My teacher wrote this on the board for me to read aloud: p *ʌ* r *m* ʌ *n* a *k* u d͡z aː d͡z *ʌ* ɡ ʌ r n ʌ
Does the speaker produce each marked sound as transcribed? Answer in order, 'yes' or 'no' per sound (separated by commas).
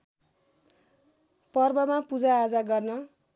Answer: yes, no, no, no, no